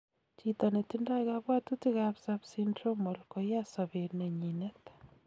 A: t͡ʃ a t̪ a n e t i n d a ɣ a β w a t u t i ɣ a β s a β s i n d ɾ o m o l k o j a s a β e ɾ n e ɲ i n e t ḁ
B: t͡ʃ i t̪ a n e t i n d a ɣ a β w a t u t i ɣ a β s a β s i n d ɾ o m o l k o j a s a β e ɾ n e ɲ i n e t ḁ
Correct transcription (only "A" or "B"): B